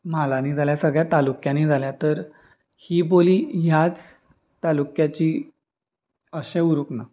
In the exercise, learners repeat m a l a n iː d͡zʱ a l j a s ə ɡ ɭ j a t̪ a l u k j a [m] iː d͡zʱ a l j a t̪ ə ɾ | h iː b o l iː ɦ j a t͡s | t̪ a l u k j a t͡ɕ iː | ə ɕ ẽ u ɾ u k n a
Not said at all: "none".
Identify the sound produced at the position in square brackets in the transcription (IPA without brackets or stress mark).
n